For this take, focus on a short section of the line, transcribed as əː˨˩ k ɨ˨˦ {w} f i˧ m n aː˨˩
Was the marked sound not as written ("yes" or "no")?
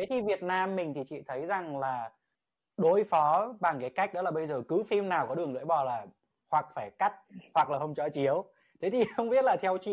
yes